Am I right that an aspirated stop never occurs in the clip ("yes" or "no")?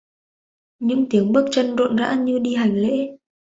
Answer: yes